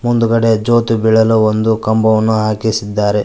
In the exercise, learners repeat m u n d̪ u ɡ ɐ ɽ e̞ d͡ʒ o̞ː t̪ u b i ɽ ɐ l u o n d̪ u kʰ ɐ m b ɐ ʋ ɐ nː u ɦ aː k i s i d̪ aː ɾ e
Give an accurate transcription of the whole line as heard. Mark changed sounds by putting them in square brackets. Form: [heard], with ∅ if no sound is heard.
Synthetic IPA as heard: m u n d̪ u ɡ ɐ ɽ e̞ d͡ʒ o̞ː t̪ u b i [ɭ] ɐ l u o n d̪ u [k] ɐ m b ɐ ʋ ɐ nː u ɦ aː k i s i [d̪ː] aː ɾ e

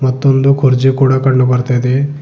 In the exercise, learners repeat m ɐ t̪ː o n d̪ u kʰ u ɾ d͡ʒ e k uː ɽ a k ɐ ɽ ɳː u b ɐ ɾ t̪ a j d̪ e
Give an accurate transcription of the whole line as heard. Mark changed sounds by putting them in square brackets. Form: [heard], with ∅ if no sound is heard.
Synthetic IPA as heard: m ɐ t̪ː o n d̪ u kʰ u ɾ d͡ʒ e k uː ɽ a k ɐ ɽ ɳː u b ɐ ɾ t̪ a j d̪ e

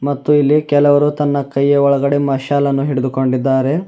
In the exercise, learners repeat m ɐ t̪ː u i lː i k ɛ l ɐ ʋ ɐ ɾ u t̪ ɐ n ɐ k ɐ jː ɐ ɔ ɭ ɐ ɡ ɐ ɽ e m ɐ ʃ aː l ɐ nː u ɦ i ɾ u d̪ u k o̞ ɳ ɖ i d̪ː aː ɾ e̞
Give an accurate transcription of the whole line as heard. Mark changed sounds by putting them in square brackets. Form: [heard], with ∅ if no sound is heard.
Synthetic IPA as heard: m ɐ t̪ː u i lː i k ɛ l ɐ ʋ ɐ ɾ u t̪ ɐ [nː] ɐ k ɐ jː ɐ ɔ ɭ ɐ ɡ ɐ ɽ e m ɐ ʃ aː l ɐ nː u ɦ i [ɽ] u d̪ u k o̞ ɳ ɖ i d̪ː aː ɾ e̞

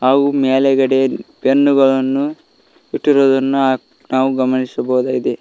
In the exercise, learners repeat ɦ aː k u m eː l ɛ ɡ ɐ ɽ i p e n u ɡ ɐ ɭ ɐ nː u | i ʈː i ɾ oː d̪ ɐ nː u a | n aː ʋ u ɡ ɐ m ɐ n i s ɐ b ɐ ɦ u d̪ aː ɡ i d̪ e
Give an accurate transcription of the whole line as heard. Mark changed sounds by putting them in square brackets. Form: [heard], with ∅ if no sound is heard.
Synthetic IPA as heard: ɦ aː [ɡ] u m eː l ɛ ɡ ɐ ɽ [e] p e [nː] u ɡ ɐ ɭ ɐ nː u | i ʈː i ɾ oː d̪ ɐ nː u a | n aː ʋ u ɡ ɐ m ɐ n i s ɐ b ɐ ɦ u d̪ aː ɡ i d̪ e

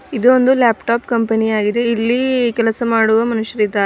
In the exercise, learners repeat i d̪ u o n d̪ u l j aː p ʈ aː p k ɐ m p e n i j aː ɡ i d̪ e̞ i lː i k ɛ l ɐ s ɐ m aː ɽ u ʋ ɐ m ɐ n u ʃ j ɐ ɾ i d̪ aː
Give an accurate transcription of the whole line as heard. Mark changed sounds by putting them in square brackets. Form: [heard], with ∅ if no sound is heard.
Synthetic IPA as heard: i d̪ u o n d̪ u l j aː p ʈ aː p k ɐ m p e n i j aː ɡ i d̪ e̞ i lː i k ɛ l ɐ s ɐ m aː ɽ u ʋ ɐ m ɐ n u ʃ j ɐ ɾ i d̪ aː

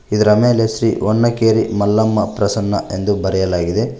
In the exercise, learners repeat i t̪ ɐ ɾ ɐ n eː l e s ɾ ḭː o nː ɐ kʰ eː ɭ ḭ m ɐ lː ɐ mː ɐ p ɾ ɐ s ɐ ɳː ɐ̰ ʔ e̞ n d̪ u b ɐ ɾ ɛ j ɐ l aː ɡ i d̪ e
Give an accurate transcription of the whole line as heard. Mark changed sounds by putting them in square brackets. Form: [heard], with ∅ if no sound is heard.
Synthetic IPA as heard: i [d̪] ɐ ɾ ɐ [m] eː l e s ɾ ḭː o nː ɐ [k] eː [ɾ] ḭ m ɐ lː ɐ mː ɐ p ɾ ɐ s ɐ [nː] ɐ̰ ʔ e̞ n d̪ u b ɐ ɾ ɛ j ɐ l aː ɡ i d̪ e

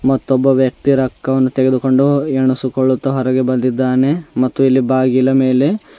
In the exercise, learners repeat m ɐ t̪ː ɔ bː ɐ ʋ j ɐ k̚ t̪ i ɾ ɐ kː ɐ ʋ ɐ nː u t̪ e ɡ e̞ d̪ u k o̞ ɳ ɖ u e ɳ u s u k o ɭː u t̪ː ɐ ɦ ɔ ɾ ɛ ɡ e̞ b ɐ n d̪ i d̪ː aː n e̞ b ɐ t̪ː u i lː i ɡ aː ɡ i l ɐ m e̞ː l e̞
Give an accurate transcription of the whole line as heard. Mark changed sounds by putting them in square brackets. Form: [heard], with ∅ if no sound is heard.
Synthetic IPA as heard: m ɐ t̪ː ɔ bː ɐ ʋ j ɐ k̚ t̪ i ɾ ɐ kː ɐ ʋ ɐ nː u t̪ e ɡ e̞ d̪ u k o̞ ɳ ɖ u e ɳ u s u k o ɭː u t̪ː ɐ ɦ ɔ ɾ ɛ ɡ e̞ b ɐ n d̪ i d̪ː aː n e̞ [m] ɐ t̪ː u i lː i [b] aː ɡ i l ɐ m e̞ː l e̞

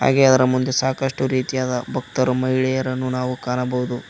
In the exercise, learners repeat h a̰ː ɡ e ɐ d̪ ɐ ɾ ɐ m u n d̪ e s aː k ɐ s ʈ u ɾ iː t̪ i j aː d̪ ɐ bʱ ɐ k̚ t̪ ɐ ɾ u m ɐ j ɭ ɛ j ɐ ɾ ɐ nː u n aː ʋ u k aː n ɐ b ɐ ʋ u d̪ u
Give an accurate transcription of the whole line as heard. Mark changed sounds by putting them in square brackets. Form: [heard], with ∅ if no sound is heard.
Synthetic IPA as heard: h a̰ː ɡ e ɐ d̪ ɐ ɾ ɐ m u n d̪ e s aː k ɐ [ʂ] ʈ u ɾ iː t̪ i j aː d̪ ɐ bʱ ɐ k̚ t̪ ɐ ɾ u m ɐ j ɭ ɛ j ɐ ɾ ɐ nː u n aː ʋ u k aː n ɐ b ɐ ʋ u d̪ u

